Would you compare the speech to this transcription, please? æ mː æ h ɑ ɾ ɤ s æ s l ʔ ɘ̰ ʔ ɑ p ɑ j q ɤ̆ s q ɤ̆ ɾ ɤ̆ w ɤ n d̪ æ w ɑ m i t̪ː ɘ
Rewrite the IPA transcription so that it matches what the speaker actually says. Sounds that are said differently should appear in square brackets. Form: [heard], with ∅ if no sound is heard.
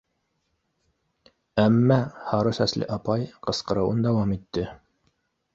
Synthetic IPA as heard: æ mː æ h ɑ ɾ ɤ s æ s l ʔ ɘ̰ ʔ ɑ p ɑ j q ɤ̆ s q ɤ̆ ɾ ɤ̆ w ɤ n d̪ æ w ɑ m i t̪ː ɘ